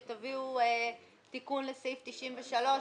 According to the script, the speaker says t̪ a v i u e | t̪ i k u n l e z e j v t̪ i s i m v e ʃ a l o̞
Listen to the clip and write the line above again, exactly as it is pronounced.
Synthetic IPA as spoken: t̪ a v i u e | t̪ i k u n l e s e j f t̪ i ʃ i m v e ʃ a l o̞